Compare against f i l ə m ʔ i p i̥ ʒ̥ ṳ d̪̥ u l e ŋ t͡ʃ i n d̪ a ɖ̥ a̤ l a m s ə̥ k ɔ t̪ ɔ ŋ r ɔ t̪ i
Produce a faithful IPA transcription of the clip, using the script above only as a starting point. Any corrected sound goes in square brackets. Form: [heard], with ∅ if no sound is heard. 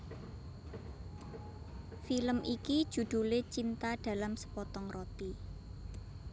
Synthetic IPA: f i l ə m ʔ i [k] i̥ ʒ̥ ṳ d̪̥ u l e [∅] t͡ʃ i n [t̪] a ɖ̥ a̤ l a m s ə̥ [p] ɔ t̪ ɔ ŋ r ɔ t̪ i